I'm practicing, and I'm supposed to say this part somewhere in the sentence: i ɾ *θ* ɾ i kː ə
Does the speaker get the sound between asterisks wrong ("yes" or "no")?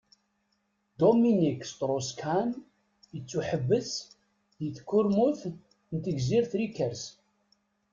no